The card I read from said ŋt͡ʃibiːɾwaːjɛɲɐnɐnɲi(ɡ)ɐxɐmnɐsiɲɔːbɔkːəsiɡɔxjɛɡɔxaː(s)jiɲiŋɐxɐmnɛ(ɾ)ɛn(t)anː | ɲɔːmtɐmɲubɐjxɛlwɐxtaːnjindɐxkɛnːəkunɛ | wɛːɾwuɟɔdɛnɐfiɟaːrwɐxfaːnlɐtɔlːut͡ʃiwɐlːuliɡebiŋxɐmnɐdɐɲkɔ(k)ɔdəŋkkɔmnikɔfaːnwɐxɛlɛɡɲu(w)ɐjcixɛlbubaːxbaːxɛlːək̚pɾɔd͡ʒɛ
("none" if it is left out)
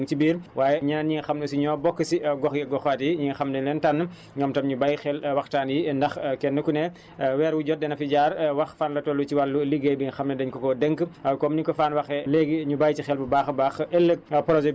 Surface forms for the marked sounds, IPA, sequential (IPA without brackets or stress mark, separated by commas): ŋ, t, l, t, k, b